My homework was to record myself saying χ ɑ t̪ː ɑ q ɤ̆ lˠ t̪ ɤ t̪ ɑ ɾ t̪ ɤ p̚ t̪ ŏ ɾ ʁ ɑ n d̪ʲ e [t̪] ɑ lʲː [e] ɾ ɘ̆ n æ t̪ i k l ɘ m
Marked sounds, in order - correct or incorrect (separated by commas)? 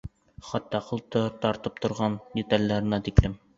correct, incorrect